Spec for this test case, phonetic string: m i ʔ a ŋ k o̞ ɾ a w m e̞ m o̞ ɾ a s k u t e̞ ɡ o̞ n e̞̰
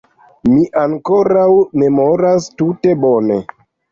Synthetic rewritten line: m i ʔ a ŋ k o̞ ɾ a w m e̞ m o̞ ɾ a s t u t e̞ b o̞ n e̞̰